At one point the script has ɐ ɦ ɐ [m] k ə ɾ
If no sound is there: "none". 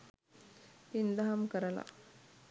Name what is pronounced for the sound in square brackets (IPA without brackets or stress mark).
m